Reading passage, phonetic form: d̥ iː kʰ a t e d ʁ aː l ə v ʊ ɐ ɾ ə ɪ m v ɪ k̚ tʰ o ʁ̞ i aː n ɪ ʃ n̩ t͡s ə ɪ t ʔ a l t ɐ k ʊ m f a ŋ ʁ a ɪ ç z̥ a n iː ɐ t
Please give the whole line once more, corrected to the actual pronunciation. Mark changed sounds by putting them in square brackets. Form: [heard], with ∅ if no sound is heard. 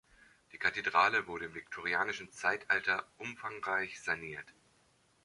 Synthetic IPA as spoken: d̥ iː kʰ a t e d ʁ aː l ə v ʊ ɐ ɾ ə ɪ m v ɪ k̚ tʰ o ʁ̞ i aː n ɪ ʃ n̩ t͡s [a] ɪ t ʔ a l t ɐ [ʔ] ʊ m f a ŋ ʁ a ɪ ç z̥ a n iː ɐ t

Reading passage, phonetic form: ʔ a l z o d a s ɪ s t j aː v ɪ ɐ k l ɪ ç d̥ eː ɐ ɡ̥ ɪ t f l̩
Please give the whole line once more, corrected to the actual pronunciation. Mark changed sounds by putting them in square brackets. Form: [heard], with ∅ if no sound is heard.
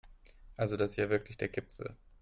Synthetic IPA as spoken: ʔ a l z o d a s ɪ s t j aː v ɪ ɐ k l ɪ ç d̥ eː ɐ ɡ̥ ɪ [p] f l̩

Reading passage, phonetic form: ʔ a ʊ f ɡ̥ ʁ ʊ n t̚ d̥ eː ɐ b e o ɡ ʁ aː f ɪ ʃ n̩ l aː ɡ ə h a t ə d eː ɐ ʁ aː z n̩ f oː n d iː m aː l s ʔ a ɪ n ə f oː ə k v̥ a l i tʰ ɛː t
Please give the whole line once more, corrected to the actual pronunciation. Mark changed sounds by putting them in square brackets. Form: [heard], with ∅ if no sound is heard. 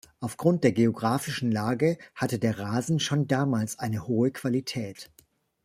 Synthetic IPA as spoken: ʔ a ʊ f ɡ̥ ʁ ʊ n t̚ d̥ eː ɐ [ɡ] e o ɡ ʁ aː f ɪ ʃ n̩ l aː ɡ ə h a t ə d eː ɐ ʁ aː z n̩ [ʃ] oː n d [aː] m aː l s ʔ a ɪ n ə [h] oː ə k v̥ a l i tʰ ɛː t

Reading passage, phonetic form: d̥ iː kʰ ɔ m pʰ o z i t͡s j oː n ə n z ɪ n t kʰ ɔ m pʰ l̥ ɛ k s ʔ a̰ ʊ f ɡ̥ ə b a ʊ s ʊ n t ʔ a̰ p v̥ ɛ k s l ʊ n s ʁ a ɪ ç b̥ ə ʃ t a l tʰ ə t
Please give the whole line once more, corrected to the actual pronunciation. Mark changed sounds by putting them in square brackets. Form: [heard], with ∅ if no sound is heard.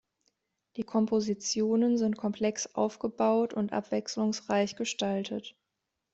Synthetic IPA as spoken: d̥ iː kʰ ɔ m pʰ o z i t͡s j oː n ə n z ɪ n t kʰ ɔ m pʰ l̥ ɛ k s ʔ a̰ ʊ f ɡ̥ ə b a ʊ [t] ʊ n t ʔ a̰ p v̥ ɛ k s l ʊ [ŋ] s ʁ a ɪ ç [ɡ̥] ə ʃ t a l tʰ ə t

